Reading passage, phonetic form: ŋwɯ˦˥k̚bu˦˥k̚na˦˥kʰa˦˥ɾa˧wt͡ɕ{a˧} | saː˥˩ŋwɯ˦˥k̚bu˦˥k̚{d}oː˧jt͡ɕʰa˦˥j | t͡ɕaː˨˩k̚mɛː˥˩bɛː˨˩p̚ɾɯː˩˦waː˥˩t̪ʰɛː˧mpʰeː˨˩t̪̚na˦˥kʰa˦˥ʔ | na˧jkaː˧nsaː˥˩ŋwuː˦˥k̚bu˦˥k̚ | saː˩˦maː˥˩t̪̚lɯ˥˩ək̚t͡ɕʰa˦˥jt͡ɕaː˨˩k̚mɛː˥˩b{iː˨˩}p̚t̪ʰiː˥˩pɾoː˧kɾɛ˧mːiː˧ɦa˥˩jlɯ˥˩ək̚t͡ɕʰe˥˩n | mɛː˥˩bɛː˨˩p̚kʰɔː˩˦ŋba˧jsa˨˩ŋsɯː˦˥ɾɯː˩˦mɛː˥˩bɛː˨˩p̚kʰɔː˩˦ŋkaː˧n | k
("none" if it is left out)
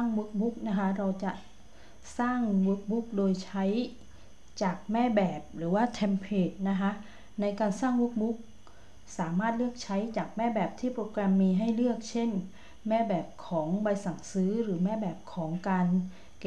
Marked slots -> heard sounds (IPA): a˨˩, d, ɛː˨˩

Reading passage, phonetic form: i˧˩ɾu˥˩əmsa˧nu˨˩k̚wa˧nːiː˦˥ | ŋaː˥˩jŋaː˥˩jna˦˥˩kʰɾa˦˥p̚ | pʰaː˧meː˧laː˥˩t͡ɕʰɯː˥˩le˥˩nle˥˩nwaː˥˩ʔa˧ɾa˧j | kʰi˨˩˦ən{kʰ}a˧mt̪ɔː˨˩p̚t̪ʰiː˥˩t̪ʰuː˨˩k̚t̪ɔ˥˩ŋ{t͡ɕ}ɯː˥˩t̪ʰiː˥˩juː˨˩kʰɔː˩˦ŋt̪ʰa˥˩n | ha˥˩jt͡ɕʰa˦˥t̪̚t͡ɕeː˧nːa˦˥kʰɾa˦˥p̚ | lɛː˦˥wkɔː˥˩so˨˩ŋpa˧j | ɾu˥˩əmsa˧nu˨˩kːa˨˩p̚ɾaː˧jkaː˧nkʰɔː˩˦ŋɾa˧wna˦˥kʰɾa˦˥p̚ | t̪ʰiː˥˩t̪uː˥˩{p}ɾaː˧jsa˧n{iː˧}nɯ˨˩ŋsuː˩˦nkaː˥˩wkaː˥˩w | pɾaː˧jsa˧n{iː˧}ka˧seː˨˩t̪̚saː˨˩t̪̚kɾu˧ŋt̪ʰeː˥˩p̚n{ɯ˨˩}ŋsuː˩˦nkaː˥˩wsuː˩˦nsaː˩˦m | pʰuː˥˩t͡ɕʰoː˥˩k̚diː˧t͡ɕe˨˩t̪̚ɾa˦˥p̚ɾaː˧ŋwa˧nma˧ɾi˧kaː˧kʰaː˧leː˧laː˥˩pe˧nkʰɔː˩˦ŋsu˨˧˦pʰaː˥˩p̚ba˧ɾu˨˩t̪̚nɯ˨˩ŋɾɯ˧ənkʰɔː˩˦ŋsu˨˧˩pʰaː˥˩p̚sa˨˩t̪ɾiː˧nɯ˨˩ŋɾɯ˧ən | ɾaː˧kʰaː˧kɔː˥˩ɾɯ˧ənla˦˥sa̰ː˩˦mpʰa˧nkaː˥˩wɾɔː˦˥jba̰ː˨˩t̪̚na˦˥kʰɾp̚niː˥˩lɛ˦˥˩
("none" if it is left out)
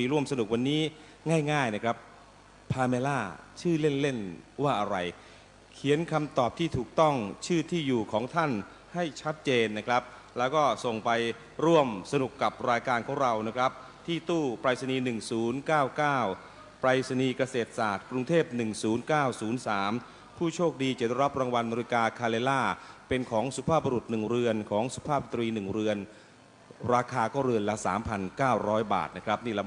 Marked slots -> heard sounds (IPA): kʰ, t͡ɕʰ, p, iː˧, iː˧, ɯ˨˩

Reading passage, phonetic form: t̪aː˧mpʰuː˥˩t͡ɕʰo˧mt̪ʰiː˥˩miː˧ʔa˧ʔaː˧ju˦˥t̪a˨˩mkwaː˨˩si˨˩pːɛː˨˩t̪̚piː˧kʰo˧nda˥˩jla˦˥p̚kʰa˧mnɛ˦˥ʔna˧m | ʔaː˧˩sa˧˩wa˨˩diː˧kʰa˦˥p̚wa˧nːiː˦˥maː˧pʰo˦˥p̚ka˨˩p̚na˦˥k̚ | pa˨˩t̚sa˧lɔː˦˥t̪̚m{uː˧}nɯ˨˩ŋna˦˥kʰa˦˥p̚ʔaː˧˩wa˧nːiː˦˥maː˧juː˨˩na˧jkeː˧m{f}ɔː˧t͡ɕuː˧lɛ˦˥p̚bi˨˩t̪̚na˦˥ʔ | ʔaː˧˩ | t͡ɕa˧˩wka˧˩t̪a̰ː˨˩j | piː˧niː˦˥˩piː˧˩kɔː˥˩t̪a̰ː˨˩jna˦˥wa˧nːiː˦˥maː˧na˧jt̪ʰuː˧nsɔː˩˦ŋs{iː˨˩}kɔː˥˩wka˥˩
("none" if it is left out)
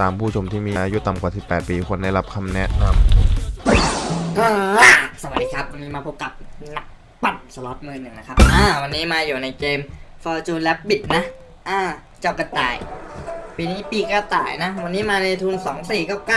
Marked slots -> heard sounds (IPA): ɯː˧, f, iː˨˩

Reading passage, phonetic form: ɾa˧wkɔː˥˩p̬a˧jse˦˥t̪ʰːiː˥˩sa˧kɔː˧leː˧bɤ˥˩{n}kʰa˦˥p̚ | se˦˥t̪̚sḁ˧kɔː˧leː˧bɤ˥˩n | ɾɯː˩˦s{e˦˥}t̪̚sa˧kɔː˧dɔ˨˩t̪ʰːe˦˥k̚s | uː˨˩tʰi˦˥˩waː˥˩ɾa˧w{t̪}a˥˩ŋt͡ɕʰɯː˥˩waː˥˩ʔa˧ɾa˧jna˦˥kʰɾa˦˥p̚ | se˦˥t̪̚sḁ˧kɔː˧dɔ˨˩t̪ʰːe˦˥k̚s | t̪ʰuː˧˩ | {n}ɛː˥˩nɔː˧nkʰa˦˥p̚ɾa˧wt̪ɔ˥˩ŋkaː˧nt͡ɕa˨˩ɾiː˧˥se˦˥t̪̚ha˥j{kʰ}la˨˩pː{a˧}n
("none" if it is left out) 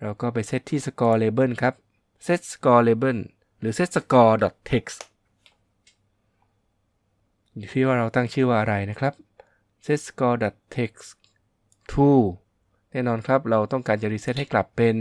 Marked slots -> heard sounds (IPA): n, e˦˥, t̪, n, k, e˧

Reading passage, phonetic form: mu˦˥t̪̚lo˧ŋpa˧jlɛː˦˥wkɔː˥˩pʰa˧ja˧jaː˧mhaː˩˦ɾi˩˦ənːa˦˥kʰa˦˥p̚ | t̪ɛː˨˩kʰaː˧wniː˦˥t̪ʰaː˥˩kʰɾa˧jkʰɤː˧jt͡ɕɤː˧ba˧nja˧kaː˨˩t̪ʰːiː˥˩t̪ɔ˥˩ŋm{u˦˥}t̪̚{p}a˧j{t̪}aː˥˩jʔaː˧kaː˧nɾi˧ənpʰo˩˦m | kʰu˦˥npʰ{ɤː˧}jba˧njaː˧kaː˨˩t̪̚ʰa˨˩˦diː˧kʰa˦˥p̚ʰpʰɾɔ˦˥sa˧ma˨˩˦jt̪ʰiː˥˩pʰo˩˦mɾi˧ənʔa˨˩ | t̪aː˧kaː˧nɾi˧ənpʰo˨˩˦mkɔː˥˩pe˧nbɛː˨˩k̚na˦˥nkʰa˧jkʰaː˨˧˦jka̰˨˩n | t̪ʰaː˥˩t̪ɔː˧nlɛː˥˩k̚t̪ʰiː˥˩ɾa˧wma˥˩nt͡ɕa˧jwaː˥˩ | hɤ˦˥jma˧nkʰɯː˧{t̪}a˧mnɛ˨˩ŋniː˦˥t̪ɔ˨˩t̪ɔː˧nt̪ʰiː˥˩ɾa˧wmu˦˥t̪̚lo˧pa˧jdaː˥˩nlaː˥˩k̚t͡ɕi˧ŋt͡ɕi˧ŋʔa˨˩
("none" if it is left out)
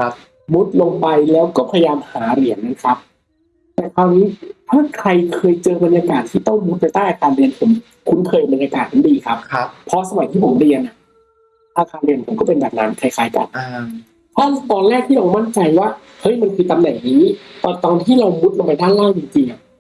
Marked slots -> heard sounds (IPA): u˦˥, p, t̪, ɤː˧, t̪

